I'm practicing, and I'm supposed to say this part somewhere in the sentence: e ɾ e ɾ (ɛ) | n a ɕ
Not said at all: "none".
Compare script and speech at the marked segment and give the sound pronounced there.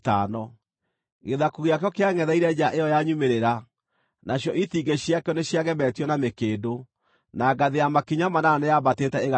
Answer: a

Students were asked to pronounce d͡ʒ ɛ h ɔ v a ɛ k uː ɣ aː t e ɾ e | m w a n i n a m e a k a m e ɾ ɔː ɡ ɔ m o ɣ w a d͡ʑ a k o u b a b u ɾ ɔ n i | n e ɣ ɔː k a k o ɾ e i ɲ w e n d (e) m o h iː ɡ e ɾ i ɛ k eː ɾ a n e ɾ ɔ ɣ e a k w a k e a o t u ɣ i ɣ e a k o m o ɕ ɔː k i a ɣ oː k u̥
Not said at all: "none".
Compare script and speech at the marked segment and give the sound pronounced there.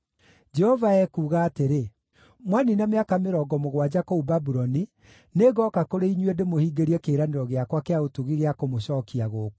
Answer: e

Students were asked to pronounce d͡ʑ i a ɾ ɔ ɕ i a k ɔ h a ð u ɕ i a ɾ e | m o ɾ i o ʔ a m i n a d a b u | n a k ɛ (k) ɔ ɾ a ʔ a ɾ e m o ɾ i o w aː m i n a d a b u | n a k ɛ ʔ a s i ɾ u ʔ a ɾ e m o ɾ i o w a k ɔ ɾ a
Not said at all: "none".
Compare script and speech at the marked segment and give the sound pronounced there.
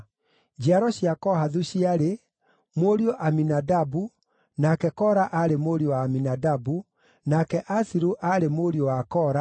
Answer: k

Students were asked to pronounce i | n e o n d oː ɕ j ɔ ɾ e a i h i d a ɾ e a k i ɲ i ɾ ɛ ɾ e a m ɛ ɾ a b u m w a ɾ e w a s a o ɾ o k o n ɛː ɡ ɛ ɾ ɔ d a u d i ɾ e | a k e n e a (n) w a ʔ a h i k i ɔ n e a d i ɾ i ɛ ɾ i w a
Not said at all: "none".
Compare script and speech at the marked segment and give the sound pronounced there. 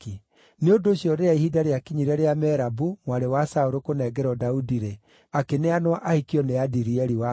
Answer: n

